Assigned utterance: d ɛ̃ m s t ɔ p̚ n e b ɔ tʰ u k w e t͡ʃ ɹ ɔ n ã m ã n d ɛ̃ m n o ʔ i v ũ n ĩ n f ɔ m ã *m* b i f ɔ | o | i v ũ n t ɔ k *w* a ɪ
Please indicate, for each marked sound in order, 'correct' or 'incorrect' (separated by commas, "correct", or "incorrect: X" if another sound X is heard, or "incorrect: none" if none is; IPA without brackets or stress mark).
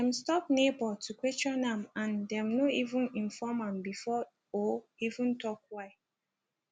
correct, correct